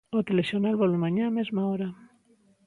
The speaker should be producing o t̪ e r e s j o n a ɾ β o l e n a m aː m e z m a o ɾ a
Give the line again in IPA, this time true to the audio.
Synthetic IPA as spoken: o t̪ e l e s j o n a l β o l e m a ɲ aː m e z m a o ɾ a